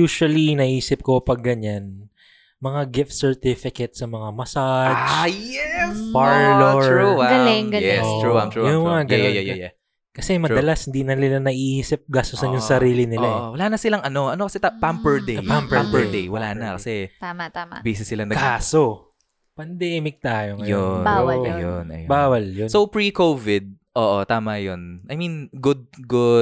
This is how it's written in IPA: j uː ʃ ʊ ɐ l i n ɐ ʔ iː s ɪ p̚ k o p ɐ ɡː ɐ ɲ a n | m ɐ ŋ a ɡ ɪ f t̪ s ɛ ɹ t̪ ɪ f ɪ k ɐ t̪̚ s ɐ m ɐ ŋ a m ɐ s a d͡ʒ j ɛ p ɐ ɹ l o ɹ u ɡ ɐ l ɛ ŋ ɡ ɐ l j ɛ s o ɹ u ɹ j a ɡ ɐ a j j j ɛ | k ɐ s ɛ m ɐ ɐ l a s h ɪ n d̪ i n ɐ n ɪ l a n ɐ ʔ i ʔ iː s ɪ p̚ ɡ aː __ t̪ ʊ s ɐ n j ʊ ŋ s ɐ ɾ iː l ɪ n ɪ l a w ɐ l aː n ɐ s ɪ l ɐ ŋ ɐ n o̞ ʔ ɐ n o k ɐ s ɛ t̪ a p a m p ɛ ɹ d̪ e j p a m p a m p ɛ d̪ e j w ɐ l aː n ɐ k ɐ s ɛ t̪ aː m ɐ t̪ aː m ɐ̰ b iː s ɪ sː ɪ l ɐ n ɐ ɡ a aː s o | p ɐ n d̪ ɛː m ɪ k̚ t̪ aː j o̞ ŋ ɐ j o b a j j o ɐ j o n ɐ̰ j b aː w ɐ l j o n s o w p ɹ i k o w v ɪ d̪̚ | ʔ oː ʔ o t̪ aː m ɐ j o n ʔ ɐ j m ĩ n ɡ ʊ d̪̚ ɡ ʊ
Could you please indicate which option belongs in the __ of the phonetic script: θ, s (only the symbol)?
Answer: s